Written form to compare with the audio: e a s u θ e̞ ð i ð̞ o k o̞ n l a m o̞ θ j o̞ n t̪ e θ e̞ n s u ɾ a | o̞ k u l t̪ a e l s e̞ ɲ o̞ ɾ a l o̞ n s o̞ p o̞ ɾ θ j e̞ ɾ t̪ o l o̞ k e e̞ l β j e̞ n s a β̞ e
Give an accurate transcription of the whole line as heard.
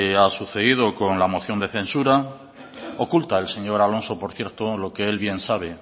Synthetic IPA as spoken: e a s u θ e̞ ð i ð̞ o k o̞ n l a m o̞ θ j o̞ n d̪ e θ e̞ n s u ɾ a | o̞ k u l t̪ a e l s e̞ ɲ o̞ ɾ a l o̞ n s o̞ p o̞ ɾ θ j e̞ ɾ t̪ o l o̞ k e e̞ l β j e̞ n s a β̞ e